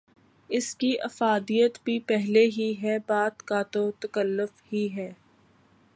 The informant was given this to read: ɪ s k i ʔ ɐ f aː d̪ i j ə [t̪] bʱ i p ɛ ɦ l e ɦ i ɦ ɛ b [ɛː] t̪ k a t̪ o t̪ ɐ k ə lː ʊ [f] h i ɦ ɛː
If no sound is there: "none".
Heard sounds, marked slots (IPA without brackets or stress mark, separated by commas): t̪, aː, f